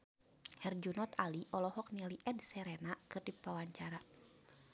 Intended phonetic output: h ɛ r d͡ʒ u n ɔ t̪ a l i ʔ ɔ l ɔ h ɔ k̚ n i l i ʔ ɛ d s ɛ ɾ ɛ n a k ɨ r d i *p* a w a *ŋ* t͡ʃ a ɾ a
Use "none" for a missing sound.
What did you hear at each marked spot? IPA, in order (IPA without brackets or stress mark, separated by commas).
p, ɲ